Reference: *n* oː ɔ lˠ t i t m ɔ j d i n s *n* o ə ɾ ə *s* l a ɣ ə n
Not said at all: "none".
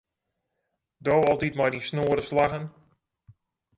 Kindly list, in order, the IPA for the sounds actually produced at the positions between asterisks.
d, n, s

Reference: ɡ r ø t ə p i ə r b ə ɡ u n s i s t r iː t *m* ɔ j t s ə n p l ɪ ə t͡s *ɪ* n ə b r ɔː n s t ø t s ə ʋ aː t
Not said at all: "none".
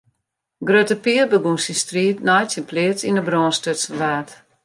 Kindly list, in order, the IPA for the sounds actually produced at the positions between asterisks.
n, i

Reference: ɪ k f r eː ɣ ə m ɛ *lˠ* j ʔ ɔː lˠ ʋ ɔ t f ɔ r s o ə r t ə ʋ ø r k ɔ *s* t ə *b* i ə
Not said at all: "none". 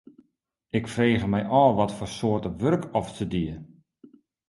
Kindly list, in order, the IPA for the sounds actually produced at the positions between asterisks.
none, f, d

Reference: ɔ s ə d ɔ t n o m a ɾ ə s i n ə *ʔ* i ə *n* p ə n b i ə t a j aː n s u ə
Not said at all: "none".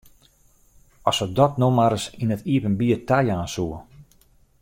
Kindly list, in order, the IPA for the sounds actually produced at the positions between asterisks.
t, none

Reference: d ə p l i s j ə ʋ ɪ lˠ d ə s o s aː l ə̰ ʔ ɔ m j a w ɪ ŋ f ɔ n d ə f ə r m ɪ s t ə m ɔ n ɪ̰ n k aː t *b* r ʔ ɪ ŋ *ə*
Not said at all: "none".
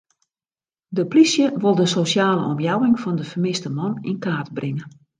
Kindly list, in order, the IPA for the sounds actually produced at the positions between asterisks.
b, ə

